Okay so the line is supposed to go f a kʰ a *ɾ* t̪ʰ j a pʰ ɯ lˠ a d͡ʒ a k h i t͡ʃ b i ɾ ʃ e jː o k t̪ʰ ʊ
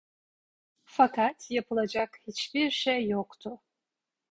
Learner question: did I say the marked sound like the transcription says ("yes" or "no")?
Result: no